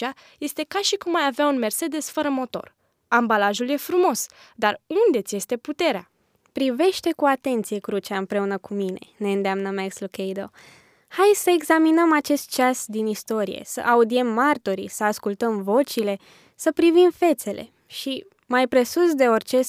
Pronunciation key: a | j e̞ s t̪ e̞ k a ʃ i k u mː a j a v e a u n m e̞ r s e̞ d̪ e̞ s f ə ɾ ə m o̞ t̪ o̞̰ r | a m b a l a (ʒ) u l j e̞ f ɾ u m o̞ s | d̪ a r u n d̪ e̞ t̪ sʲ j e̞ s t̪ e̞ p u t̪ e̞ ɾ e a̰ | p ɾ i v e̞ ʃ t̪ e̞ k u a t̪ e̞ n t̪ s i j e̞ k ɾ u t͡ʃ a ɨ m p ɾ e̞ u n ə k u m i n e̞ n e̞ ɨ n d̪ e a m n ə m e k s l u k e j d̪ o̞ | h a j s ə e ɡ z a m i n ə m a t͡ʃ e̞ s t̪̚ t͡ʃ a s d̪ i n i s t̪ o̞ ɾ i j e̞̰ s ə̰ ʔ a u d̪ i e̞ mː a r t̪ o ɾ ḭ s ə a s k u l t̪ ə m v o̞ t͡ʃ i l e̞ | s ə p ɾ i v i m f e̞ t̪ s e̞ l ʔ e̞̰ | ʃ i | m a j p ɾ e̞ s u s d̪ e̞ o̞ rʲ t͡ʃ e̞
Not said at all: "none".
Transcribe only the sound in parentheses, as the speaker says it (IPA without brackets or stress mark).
ʒ